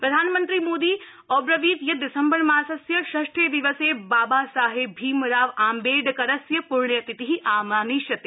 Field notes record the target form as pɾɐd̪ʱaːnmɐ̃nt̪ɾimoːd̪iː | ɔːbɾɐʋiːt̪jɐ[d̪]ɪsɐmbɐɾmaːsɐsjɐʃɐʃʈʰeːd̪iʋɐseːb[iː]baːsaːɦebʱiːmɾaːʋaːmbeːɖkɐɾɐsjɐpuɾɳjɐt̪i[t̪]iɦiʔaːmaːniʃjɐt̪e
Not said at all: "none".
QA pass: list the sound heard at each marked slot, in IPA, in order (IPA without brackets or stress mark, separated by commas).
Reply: d̪, aː, t̪